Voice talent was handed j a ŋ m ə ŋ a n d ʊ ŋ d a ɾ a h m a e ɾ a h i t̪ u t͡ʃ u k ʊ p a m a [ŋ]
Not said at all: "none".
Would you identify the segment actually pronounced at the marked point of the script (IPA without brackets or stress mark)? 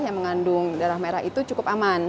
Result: n